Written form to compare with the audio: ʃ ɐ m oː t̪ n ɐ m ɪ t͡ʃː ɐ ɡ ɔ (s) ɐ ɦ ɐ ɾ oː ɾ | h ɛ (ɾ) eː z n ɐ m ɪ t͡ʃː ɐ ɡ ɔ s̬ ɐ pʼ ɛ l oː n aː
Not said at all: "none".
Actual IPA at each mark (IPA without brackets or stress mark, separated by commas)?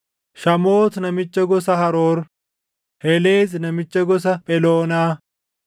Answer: s, l